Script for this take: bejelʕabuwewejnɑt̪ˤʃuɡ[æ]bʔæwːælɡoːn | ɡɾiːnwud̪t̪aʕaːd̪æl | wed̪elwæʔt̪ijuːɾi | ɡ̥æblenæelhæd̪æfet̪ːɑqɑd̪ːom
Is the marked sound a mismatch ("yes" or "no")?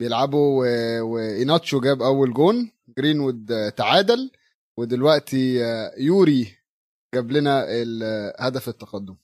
yes